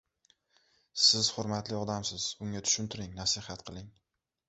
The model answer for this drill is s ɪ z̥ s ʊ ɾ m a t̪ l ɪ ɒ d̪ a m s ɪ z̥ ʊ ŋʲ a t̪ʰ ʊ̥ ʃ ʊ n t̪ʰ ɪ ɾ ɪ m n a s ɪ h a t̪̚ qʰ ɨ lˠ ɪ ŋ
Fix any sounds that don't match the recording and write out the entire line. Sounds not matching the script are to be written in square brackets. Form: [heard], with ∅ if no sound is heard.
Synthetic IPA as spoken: s ɪ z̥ [h] ʊ ɾ m a t̪ l ɪ ɒ d̪ a m s ɪ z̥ ʊ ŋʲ a t̪ʰ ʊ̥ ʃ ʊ n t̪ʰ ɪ ɾ ɪ [ŋ] n a s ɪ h a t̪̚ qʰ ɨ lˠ ɪ ŋ